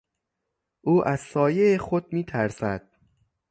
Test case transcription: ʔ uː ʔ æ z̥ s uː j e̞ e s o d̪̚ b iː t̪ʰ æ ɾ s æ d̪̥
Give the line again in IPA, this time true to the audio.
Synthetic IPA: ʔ uː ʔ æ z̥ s ɒː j e̞ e x o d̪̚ m iː t̪ʰ æ ɾ s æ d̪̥